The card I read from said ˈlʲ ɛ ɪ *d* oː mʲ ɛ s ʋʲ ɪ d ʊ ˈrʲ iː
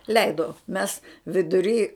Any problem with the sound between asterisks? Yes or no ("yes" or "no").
no